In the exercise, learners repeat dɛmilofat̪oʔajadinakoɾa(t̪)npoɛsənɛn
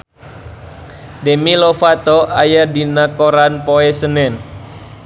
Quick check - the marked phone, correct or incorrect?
incorrect